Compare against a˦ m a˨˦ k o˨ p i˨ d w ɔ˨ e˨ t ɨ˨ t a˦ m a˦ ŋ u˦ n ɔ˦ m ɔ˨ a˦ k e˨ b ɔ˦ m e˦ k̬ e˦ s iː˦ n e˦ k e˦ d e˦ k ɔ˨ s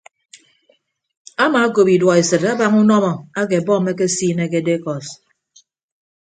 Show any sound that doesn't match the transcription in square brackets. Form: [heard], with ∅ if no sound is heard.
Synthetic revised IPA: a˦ m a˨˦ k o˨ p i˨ d w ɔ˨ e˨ [s] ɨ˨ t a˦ [b] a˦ ŋ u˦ n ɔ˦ m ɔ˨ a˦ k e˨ b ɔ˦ m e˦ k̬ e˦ s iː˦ n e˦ k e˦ d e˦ k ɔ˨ s